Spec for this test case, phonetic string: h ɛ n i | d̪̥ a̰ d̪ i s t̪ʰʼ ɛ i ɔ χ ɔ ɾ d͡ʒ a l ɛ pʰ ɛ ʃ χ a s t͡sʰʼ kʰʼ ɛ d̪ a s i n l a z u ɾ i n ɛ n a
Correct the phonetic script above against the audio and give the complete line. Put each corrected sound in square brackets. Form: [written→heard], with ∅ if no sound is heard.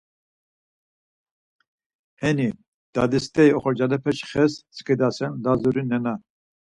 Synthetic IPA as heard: h ɛ n i | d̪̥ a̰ d̪ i s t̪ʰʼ ɛ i ɔ χ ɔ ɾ d͡ʒ a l ɛ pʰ ɛ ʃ χ [a→ɛ] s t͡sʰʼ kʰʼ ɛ d̪ a s [i→ɛ] n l a z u ɾ i n ɛ n a